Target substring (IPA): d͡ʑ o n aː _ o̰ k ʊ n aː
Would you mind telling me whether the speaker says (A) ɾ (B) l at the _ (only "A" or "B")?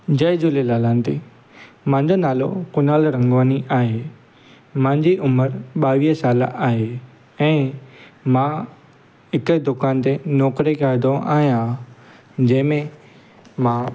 B